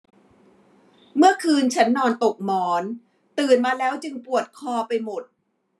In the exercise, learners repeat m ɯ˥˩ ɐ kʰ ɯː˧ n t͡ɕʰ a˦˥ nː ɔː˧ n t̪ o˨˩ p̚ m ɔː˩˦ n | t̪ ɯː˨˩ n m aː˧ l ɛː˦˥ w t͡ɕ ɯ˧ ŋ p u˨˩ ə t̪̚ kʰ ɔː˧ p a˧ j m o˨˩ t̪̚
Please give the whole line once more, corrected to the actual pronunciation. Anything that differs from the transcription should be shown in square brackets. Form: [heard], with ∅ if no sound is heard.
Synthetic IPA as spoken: m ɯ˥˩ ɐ kʰ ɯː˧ n t͡ɕʰ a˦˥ nː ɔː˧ n t̪ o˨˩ [k̚] m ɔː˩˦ n | t̪ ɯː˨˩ n m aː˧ l ɛː˦˥ w t͡ɕ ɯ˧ ŋ p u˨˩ ə t̪̚ kʰ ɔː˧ p a˧ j m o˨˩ t̪̚